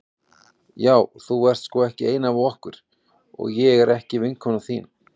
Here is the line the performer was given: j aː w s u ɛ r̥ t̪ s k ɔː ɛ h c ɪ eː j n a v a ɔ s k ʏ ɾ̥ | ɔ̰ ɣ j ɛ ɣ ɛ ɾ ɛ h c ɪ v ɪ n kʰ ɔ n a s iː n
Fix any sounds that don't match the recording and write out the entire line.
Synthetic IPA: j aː w θ u ɛ r̥ t̪ s k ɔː ɛ h c ɪ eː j n a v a ɔ h k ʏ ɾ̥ | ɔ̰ ɣ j ɛ ɣ ɛ ɾ ɛ h c ɪ v ɪ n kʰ ɔ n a θ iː n